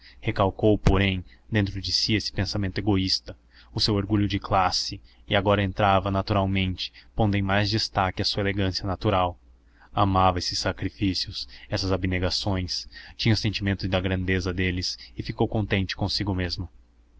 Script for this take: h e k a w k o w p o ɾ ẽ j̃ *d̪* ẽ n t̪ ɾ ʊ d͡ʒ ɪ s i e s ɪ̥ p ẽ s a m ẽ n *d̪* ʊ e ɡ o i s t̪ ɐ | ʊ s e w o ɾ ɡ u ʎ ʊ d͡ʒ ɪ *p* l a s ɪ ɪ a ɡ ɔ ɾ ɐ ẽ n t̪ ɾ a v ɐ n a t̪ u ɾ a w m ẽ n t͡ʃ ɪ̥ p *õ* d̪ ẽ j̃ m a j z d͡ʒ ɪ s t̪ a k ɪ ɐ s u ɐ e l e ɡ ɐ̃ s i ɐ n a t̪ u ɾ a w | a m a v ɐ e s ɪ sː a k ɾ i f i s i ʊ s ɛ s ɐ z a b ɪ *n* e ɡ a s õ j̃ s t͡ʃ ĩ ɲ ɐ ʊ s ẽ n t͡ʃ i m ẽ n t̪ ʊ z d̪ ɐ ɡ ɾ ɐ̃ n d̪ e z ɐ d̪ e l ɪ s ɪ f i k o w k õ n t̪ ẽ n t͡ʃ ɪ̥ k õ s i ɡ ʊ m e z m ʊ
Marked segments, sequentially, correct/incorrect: correct, incorrect, incorrect, correct, correct

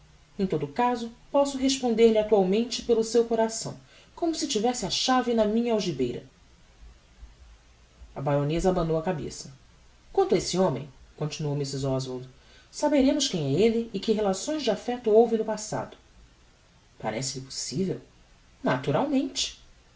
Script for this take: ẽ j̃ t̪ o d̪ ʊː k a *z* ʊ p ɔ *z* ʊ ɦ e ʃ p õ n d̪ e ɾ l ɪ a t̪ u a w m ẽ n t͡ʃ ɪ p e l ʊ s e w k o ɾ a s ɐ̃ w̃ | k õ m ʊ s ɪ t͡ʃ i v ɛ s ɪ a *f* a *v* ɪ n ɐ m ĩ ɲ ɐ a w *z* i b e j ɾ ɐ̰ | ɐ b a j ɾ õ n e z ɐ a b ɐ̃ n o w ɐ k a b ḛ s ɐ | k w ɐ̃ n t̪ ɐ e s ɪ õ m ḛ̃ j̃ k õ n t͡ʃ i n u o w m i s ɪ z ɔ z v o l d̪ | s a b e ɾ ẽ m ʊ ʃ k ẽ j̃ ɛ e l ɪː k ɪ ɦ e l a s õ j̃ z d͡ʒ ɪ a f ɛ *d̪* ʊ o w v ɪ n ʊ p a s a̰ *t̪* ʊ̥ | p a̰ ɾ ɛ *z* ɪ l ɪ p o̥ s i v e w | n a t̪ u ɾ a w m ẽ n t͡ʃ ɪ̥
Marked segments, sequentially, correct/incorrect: correct, incorrect, incorrect, correct, incorrect, incorrect, incorrect, incorrect

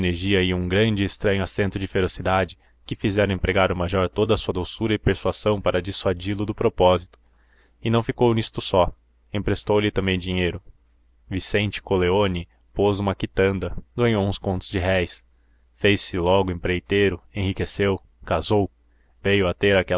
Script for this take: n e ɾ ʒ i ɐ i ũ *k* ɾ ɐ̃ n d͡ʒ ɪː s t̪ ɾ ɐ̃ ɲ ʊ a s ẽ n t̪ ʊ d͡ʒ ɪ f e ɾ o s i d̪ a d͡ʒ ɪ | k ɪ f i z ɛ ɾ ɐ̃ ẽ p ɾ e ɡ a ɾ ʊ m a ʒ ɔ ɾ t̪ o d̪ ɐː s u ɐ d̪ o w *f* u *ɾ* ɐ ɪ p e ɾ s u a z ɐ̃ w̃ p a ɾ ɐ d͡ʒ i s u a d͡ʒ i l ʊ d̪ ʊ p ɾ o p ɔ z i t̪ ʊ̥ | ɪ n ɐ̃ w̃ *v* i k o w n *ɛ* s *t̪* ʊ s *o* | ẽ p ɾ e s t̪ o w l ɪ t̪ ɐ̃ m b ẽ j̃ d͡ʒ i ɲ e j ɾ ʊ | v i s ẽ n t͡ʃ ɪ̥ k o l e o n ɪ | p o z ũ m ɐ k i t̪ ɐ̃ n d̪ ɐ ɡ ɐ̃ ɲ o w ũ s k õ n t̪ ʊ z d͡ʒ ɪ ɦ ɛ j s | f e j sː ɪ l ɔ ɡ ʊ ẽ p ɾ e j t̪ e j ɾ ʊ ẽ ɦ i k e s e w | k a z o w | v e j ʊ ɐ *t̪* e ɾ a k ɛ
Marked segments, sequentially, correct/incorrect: incorrect, incorrect, correct, incorrect, incorrect, correct, incorrect, correct

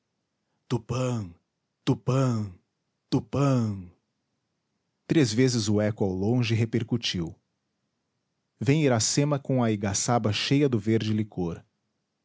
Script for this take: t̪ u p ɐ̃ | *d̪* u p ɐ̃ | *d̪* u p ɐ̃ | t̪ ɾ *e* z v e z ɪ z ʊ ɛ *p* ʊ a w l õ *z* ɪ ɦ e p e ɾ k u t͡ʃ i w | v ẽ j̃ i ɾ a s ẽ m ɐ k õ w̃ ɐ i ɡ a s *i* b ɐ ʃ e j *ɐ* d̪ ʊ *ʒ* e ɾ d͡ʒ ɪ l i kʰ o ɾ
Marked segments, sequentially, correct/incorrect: incorrect, incorrect, correct, incorrect, incorrect, incorrect, correct, incorrect

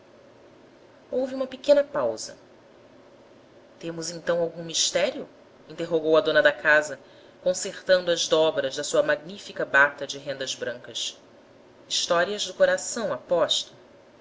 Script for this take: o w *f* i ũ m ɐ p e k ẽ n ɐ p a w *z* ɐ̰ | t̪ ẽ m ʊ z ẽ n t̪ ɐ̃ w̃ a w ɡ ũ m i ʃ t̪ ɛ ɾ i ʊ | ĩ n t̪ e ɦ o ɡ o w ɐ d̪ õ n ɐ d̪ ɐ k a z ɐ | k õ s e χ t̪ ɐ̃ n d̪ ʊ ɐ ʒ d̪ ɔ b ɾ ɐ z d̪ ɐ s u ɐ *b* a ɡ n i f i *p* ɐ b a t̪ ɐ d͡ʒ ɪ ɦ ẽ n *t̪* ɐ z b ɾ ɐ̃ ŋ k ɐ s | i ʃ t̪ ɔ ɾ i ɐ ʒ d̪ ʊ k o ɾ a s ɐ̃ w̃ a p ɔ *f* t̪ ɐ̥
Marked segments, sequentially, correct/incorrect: incorrect, correct, incorrect, incorrect, incorrect, incorrect

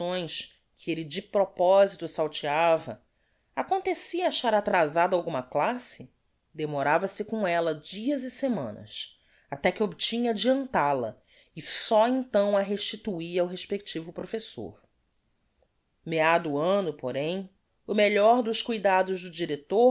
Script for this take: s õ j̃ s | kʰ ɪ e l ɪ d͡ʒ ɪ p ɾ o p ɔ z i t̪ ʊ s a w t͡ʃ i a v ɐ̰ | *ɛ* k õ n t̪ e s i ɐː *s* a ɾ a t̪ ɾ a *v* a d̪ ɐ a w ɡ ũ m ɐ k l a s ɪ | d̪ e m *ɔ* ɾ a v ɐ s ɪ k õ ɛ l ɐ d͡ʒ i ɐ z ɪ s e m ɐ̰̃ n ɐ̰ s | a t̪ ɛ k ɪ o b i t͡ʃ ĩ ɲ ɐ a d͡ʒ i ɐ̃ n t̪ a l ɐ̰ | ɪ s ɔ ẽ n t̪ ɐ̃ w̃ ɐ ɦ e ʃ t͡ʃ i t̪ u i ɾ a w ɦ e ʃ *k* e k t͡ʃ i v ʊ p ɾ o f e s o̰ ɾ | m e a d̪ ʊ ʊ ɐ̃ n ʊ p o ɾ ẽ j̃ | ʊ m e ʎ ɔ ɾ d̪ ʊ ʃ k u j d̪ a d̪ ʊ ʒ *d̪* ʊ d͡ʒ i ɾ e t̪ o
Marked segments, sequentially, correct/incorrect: incorrect, incorrect, incorrect, incorrect, incorrect, correct

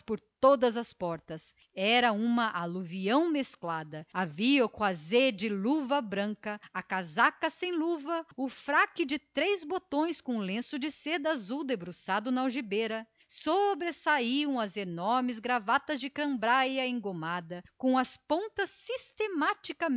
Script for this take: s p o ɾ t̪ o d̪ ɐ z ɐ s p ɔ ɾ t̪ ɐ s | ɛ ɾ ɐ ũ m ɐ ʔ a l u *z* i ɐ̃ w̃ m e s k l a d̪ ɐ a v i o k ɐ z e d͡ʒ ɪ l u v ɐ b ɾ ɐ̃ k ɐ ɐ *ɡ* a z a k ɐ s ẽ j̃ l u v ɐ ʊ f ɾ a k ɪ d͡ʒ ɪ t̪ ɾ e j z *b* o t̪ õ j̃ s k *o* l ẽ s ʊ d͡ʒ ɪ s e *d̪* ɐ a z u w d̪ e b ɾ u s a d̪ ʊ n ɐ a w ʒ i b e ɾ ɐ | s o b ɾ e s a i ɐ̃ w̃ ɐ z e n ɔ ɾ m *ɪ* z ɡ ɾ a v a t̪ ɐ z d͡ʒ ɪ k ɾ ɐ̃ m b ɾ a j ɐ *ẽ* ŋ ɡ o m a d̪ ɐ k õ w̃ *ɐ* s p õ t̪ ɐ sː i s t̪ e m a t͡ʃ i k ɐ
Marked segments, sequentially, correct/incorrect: incorrect, incorrect, correct, incorrect, correct, correct, correct, correct

